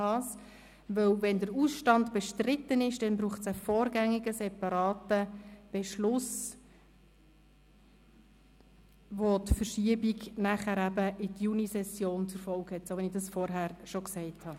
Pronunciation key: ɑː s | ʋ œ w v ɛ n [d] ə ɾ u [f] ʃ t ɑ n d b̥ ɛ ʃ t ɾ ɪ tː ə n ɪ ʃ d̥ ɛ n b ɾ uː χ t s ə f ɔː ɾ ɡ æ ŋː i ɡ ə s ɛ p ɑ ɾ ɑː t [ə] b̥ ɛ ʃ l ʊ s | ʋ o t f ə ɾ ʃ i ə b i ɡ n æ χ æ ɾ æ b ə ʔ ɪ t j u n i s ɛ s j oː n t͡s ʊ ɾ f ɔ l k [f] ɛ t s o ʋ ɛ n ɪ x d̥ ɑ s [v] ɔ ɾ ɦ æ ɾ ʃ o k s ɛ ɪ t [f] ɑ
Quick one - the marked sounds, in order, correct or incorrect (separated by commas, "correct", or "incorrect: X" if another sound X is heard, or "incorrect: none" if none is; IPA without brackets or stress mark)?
correct, incorrect: s, correct, incorrect: h, incorrect: f, incorrect: h